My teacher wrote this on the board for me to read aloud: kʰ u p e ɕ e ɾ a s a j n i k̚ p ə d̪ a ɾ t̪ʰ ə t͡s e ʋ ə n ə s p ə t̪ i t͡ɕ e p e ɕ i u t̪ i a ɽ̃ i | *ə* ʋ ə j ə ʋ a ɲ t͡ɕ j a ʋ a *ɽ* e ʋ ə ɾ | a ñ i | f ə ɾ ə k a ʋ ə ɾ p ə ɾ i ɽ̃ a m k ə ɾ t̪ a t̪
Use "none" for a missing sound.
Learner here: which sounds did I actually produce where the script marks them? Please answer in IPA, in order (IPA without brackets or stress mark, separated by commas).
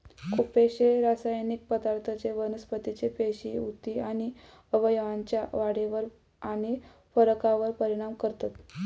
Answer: ə, ɽ